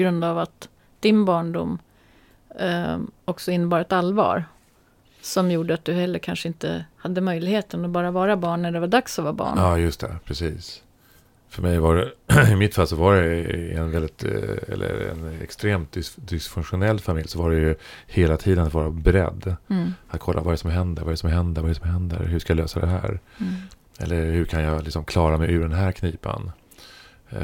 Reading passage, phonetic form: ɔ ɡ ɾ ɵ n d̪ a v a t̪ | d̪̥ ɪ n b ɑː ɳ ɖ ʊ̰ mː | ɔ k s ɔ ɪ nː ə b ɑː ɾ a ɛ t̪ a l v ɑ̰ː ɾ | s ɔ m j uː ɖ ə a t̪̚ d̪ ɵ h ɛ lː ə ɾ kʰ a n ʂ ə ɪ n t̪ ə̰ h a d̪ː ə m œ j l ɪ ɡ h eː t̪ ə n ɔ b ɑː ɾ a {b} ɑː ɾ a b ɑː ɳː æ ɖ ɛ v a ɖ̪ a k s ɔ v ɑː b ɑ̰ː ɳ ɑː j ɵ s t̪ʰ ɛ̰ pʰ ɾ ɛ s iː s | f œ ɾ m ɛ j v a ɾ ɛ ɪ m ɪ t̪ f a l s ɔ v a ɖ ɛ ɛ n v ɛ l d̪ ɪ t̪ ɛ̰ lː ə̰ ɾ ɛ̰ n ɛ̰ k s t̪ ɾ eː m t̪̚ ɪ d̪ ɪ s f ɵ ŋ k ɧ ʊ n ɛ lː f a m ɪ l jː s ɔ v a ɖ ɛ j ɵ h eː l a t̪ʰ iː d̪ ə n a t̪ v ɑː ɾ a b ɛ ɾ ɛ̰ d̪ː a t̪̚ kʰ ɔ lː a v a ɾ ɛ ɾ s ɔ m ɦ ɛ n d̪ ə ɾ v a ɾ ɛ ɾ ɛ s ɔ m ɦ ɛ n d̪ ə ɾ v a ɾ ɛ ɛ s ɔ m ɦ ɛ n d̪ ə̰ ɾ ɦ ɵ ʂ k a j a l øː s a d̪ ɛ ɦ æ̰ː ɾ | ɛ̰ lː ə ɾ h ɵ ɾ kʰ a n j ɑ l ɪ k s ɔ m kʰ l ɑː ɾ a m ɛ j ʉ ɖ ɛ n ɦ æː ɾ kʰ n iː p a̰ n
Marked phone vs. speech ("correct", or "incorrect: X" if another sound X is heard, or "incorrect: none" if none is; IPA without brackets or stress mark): incorrect: v